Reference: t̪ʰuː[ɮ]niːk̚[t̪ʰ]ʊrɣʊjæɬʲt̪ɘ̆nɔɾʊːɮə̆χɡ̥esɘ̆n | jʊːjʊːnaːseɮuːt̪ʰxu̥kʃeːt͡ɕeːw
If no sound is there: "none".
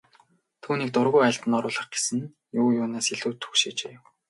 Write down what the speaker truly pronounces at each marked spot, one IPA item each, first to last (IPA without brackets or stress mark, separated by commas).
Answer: none, t̪